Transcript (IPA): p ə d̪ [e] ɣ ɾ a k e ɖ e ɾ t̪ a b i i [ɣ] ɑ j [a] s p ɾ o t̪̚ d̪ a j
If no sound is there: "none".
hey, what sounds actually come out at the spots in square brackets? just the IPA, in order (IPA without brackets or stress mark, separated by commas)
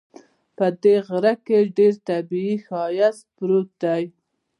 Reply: e, x, a